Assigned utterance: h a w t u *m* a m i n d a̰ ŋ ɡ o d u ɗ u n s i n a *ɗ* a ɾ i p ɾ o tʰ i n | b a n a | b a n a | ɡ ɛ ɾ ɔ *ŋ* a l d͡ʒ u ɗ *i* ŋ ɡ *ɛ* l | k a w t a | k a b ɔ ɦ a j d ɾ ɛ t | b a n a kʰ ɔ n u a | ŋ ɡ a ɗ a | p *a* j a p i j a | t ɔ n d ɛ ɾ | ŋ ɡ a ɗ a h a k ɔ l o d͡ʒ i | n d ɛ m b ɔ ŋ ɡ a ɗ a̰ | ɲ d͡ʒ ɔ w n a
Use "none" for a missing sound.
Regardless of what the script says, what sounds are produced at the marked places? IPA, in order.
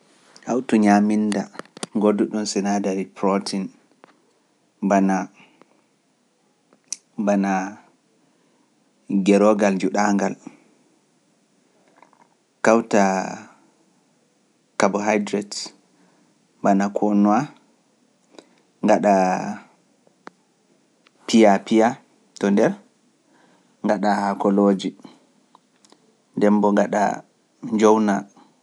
ɲ, d, ɡ, a, a, i

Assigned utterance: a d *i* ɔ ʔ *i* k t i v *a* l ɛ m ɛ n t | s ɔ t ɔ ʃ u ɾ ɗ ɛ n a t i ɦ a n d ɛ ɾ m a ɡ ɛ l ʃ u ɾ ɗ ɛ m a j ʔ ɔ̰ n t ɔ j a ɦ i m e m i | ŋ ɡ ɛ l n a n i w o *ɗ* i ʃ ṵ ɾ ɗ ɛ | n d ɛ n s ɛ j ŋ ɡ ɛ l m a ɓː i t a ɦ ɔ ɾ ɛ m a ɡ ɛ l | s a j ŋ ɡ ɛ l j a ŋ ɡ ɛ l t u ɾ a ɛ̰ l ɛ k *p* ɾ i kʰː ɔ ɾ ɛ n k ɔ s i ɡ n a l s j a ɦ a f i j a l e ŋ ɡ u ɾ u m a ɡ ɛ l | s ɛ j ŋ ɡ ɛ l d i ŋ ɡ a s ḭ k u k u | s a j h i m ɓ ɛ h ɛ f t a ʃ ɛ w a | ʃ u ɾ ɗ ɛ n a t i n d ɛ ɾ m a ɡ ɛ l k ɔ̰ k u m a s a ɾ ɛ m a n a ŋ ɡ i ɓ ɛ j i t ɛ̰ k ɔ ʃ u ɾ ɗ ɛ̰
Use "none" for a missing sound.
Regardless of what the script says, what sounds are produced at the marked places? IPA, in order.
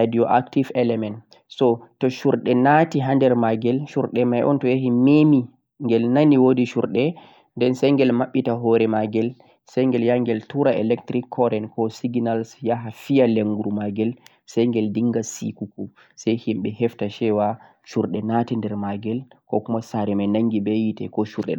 i, a, ɛ, d, t

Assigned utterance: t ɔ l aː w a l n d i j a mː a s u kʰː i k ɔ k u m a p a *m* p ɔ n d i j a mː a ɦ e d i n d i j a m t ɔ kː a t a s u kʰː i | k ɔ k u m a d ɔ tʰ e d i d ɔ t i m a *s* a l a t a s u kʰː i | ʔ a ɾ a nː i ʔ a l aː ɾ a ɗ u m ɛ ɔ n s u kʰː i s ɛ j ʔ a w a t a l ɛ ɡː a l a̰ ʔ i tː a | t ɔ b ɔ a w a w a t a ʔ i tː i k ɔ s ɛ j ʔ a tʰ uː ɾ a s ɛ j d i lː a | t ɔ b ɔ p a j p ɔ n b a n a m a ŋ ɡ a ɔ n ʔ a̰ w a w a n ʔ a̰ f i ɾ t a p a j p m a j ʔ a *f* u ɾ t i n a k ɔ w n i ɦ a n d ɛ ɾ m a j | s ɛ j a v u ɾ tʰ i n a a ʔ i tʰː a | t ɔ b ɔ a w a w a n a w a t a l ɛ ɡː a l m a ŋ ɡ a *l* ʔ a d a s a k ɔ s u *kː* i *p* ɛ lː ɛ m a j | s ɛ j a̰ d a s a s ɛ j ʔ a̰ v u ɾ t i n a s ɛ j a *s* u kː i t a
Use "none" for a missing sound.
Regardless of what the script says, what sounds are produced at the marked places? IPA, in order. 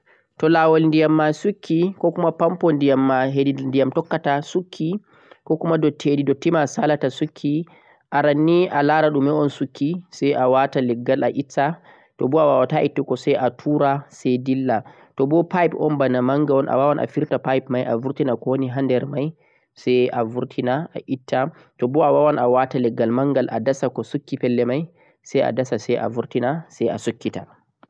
m, s, v, l, kː, p, s

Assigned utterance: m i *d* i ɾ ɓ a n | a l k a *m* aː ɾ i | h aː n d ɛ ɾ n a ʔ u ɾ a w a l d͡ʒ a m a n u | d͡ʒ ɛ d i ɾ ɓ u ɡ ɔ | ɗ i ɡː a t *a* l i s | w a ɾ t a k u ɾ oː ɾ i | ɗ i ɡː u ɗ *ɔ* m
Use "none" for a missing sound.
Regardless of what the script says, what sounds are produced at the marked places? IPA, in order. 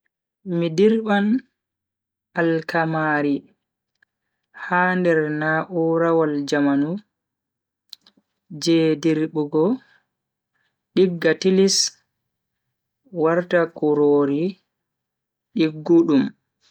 d, m, i, u

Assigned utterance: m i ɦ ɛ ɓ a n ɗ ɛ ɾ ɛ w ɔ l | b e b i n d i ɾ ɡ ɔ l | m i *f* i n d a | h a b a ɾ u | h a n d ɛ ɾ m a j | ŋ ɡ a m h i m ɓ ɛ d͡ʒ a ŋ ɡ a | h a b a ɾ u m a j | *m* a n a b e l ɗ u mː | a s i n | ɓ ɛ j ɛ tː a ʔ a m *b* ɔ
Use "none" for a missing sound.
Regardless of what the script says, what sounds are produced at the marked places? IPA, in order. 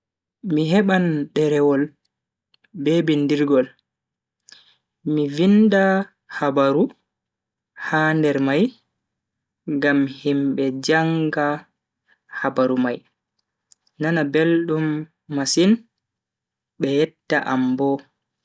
v, n, b

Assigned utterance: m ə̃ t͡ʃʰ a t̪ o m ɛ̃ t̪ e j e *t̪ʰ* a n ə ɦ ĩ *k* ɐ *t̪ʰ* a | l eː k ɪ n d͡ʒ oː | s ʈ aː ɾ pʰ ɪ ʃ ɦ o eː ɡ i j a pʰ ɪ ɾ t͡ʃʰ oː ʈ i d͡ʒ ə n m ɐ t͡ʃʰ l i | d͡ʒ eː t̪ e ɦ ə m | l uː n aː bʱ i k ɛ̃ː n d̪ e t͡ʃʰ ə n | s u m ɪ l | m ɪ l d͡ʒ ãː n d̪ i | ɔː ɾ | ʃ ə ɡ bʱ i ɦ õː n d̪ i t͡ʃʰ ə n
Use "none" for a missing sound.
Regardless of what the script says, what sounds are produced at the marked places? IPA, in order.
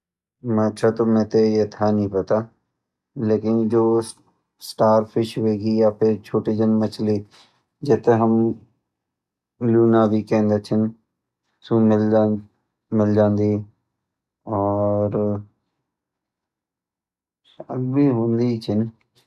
t̪ʰ, p, t̪

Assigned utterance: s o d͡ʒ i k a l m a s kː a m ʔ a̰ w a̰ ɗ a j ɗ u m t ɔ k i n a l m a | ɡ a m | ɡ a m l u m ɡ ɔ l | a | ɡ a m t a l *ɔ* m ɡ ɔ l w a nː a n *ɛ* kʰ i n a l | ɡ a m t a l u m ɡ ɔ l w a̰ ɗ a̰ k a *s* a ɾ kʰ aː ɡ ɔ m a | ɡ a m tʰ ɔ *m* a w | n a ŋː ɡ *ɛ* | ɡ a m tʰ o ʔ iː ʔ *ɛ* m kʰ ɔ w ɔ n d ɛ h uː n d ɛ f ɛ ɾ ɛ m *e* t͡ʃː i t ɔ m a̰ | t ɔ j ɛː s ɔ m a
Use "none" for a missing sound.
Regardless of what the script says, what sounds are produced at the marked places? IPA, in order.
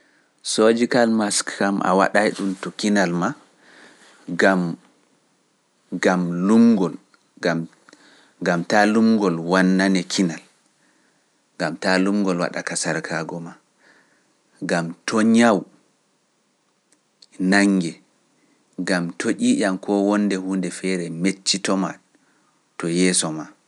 u, ɛ, s, ɲ, ɛ, a, e

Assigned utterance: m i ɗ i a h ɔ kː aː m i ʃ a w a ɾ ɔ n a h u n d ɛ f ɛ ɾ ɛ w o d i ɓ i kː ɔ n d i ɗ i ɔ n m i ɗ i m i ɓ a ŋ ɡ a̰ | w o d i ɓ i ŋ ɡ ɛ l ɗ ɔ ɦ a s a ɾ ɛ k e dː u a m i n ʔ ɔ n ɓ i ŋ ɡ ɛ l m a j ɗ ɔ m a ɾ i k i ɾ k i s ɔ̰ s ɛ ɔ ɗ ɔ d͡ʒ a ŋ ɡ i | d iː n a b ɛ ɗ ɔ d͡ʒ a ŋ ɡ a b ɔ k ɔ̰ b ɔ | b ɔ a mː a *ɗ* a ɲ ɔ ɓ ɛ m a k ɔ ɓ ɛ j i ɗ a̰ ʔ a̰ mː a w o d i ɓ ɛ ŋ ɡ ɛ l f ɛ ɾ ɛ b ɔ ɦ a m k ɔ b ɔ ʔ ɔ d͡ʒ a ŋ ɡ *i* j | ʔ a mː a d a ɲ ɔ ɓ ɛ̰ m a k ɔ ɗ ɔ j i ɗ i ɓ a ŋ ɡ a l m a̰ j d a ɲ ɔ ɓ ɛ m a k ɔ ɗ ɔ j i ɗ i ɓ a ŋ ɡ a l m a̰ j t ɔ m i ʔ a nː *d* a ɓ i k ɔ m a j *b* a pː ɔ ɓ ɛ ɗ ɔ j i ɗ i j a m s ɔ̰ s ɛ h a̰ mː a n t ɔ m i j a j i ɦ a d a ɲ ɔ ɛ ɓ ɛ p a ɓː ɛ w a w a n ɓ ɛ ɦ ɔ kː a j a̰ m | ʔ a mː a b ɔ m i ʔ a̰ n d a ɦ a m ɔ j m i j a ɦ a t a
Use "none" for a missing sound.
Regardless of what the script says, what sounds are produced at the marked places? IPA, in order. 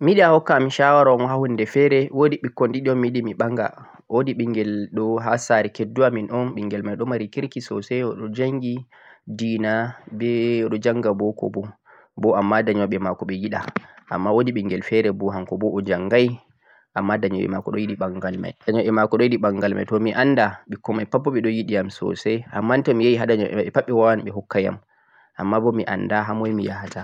d, a, d, p

